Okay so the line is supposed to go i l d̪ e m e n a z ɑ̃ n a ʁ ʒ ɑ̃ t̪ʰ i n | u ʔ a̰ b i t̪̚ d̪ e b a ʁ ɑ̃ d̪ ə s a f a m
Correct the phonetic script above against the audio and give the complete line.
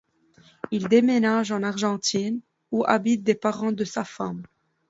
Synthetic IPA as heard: i l d̪ e m e n a ʒ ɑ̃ n a ʁ ʒ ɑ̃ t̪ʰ i n | u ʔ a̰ b i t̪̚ d̪ e p a ʁ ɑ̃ d̪ ə s a f a m